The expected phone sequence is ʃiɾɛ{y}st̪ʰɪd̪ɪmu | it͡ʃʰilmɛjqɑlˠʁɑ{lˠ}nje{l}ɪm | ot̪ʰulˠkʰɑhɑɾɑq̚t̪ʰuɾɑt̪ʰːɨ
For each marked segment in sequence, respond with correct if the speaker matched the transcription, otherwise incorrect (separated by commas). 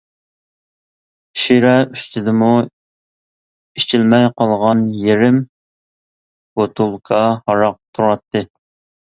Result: correct, incorrect, incorrect